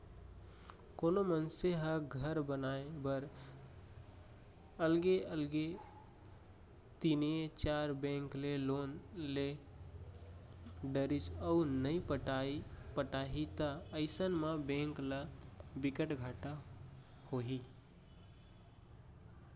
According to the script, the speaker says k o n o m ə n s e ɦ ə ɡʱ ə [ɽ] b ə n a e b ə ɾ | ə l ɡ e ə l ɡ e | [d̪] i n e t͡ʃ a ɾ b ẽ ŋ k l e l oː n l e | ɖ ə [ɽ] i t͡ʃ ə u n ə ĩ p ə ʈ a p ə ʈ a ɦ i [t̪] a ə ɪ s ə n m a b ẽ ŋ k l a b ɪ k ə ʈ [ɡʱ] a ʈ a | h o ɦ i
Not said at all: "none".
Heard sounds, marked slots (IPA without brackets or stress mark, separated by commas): ɾ, t̪, ɾ, t̪, ɡʱ